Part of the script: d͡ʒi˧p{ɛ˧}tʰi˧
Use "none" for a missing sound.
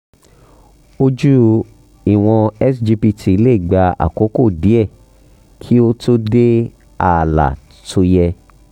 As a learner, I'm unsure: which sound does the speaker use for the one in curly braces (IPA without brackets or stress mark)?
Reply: i˧